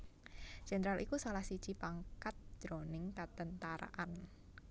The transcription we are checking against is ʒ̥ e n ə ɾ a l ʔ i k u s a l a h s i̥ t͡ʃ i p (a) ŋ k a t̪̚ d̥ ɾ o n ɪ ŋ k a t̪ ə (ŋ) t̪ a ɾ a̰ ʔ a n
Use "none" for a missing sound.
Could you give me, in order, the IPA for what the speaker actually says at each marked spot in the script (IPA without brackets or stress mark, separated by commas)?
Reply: a, n